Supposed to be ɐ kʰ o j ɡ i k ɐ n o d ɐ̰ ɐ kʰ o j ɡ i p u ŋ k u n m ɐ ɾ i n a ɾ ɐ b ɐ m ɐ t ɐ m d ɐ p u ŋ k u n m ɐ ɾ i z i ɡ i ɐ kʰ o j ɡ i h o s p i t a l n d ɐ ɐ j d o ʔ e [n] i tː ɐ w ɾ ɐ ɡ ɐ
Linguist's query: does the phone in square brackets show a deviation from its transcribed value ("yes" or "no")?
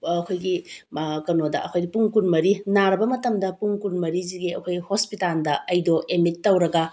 yes